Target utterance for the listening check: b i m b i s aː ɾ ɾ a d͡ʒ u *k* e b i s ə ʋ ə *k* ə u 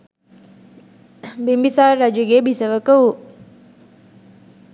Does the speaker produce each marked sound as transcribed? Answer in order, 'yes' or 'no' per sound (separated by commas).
no, yes